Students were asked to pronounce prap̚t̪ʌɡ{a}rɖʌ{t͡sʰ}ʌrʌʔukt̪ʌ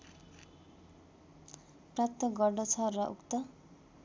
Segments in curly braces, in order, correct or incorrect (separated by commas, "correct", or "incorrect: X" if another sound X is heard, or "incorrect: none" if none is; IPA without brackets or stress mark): incorrect: ʌ, correct